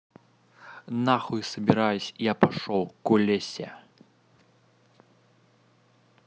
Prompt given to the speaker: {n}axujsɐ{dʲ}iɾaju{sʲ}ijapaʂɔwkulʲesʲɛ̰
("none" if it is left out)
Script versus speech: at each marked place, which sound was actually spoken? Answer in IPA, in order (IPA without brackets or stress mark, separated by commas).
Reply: n, bʲ, sʲ